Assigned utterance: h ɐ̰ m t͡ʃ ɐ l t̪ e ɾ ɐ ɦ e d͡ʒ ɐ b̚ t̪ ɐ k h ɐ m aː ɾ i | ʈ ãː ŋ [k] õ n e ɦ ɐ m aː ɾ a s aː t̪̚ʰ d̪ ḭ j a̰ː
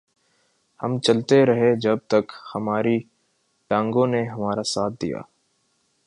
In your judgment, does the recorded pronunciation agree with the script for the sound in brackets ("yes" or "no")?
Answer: no